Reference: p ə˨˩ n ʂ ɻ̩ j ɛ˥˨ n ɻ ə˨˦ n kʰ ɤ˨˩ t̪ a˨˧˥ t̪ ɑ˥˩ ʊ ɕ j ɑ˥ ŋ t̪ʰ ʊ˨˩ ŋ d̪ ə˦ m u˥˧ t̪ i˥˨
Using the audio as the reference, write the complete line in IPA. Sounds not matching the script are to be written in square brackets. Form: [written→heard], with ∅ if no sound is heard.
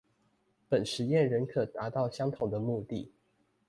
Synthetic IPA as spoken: p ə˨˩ n ʂ ɻ̩ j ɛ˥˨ n ɻ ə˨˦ n kʰ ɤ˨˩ t̪ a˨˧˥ t̪ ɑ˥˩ ʊ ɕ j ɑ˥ ŋ t̪ʰ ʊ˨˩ ŋ d̪ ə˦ m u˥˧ t̪ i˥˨